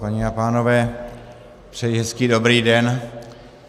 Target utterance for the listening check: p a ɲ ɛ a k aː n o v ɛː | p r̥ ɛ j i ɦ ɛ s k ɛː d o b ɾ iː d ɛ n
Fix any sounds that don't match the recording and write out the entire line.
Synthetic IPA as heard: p a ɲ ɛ a p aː n o v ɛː | p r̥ ɛ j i ɦ ɛ s k iː d o b ɾ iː d ɛ n